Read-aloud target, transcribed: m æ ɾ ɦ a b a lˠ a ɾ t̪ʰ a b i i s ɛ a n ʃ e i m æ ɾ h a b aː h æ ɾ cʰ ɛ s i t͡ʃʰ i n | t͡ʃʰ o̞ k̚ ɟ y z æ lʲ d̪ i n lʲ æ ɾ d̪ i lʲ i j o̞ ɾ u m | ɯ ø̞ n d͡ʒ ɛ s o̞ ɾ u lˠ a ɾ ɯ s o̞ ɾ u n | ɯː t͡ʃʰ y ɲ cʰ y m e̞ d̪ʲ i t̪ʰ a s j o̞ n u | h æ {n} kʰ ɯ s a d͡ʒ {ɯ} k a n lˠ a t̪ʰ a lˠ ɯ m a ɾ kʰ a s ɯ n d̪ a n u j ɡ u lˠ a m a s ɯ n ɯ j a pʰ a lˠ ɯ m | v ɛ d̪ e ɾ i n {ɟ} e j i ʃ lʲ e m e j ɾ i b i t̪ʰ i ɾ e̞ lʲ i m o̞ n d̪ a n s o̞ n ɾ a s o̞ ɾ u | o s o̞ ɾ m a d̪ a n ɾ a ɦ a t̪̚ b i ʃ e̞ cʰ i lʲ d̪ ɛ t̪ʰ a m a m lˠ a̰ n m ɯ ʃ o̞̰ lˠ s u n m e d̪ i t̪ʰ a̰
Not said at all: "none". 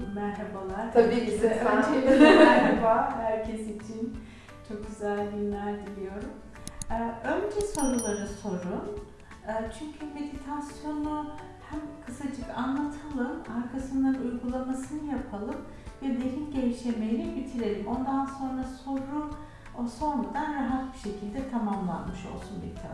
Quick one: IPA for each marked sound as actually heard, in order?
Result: m, ɯ, ɟ

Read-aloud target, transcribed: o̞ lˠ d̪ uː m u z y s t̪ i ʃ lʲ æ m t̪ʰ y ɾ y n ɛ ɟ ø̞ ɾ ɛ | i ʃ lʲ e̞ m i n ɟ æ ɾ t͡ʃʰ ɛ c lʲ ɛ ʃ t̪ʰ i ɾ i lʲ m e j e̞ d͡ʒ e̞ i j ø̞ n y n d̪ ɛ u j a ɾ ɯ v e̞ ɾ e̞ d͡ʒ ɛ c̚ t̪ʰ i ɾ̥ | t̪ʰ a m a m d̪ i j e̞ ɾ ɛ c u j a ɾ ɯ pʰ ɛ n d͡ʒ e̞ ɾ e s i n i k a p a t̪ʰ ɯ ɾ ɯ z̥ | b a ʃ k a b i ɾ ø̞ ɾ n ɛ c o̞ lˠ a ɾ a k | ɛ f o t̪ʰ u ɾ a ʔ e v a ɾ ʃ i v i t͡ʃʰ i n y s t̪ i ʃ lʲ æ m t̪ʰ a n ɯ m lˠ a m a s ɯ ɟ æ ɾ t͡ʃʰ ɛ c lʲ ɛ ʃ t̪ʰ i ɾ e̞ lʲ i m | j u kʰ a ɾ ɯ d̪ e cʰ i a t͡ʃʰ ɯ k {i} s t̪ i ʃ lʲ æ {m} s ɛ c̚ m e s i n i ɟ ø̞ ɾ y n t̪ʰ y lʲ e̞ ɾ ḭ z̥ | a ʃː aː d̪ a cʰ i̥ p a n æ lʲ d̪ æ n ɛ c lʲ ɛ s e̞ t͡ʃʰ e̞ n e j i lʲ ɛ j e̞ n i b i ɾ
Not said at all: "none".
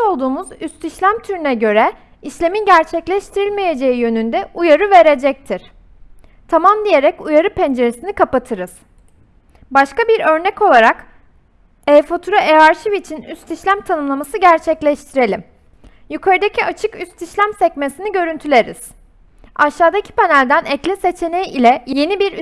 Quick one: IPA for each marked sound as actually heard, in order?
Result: y, m

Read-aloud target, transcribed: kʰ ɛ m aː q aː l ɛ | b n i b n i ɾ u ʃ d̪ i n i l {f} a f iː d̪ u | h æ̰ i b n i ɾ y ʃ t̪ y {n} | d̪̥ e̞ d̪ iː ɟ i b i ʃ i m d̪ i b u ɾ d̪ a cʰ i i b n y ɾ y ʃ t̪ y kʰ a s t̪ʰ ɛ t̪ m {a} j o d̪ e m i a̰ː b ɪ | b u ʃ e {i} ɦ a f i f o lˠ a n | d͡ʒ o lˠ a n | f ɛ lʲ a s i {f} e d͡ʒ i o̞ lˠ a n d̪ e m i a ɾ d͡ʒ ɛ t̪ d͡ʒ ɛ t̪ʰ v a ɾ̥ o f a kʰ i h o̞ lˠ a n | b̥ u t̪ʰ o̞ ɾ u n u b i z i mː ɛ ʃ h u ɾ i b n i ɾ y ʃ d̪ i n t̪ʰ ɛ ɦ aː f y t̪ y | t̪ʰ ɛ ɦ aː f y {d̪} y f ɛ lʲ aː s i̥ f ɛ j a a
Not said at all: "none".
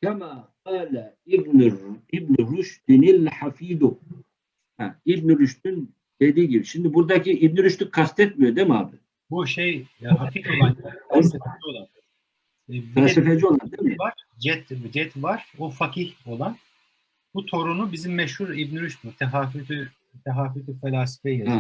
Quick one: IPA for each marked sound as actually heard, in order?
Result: ħ, n, i, j, f, t̪

